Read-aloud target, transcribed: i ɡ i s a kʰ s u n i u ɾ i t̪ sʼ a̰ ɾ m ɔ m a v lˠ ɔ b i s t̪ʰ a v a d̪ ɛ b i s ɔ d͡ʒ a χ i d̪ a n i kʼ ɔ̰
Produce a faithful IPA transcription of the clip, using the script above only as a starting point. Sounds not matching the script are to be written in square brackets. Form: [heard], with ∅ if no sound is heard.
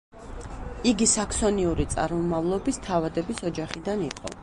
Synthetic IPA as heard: i ɡ i s a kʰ s [ɔ] n i u ɾ i t̪ sʼ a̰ ɾ m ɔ m a v lˠ ɔ b i s t̪ʰ a v a d̪ ɛ b i s ɔ d͡ʒ a χ i d̪ a n i [qʼ] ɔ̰